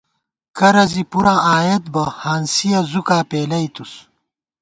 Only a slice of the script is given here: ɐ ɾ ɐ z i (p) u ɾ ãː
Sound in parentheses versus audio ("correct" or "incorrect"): correct